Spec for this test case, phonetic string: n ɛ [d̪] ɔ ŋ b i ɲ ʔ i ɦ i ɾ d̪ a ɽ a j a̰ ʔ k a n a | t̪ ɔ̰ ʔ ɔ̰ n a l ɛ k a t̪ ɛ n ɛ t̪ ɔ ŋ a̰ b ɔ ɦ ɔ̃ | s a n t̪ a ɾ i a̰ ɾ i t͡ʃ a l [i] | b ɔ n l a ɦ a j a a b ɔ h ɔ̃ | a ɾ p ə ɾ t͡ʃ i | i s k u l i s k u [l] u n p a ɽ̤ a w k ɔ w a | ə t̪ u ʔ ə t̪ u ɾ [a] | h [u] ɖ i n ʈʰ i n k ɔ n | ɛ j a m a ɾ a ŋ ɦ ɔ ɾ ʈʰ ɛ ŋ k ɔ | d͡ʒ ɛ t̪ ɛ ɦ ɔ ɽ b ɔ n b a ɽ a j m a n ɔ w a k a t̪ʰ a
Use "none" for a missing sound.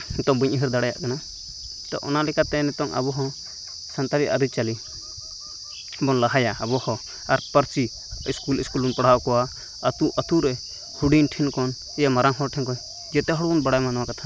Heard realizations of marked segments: t̪, i, l, ɛ, u

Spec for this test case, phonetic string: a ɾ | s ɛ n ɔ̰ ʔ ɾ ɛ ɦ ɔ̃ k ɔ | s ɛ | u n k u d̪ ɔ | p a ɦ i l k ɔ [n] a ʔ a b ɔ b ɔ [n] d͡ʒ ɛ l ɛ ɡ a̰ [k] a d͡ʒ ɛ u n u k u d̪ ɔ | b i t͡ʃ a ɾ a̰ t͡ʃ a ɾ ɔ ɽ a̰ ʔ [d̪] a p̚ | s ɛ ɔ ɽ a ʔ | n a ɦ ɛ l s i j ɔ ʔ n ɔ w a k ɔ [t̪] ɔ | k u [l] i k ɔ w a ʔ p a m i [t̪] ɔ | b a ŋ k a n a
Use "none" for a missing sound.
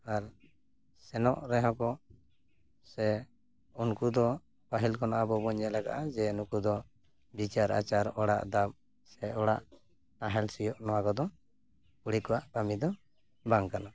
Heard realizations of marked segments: n, ɲ, ʔ, d̪, d̪, ɽ, d̪

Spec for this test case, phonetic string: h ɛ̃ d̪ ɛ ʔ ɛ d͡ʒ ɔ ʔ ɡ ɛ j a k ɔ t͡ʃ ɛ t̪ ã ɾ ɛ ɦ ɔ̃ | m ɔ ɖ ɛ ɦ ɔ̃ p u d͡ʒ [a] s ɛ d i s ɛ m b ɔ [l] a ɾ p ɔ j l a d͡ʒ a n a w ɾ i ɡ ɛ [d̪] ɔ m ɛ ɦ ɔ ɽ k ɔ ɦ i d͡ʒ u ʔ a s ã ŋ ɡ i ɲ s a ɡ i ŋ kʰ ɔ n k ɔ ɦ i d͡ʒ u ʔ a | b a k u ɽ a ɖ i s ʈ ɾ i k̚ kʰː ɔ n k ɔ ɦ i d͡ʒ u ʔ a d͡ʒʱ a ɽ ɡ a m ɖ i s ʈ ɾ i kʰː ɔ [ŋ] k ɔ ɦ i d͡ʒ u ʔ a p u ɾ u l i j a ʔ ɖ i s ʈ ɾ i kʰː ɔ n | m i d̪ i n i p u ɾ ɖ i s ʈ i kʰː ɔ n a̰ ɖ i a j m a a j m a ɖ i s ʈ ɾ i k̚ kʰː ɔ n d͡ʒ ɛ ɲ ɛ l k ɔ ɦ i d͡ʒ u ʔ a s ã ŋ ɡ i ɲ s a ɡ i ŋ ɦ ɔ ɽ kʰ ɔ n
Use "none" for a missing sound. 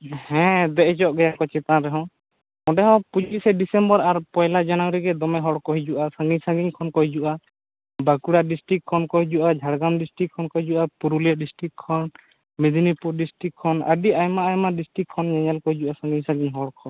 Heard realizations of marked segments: i, ɾ, d̪, n

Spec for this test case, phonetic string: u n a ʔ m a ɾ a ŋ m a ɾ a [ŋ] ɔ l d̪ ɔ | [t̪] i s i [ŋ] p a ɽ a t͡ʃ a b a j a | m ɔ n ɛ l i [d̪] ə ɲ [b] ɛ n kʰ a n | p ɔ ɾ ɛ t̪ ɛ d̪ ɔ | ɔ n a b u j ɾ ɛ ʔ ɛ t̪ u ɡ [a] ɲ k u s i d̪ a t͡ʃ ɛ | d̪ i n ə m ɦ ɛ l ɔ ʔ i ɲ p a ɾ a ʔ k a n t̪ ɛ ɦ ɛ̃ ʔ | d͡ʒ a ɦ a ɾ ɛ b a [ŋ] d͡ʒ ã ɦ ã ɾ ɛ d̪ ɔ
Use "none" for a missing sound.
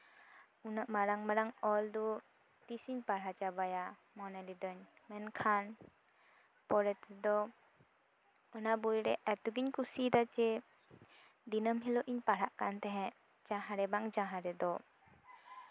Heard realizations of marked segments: ŋ, t̪, ɲ, d̪, m, i, ŋ

